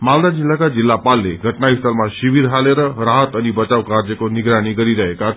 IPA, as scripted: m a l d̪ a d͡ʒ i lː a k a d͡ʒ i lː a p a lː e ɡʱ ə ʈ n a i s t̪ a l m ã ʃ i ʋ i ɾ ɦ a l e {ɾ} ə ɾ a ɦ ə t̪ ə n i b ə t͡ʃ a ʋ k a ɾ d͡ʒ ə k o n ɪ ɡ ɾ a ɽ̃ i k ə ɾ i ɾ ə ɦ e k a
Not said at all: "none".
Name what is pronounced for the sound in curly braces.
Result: ɾ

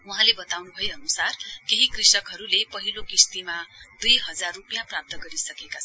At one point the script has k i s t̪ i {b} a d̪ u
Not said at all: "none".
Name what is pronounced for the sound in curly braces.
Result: m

